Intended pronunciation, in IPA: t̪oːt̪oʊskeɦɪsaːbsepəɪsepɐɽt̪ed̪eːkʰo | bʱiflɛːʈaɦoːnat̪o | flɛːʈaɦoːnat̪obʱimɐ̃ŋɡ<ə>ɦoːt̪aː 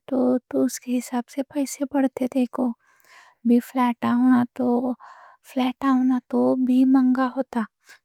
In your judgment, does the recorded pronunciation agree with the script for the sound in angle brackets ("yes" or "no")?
no